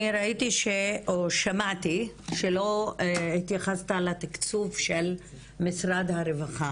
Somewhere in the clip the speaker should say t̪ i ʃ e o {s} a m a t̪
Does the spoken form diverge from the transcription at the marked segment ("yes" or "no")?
yes